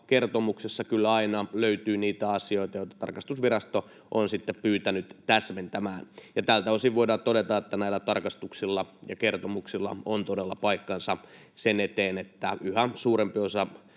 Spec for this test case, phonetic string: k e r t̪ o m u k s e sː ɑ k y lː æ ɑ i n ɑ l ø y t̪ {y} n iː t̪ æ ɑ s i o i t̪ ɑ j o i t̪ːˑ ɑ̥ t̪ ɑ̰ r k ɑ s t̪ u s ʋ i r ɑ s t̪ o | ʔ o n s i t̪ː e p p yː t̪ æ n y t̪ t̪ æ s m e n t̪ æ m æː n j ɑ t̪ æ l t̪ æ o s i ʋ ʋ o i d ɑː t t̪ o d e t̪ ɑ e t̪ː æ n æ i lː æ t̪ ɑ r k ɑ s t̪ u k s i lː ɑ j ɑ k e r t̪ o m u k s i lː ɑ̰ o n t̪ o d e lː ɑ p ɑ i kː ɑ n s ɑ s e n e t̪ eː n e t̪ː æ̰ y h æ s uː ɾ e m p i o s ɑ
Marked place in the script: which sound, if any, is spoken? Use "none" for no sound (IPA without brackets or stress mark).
yː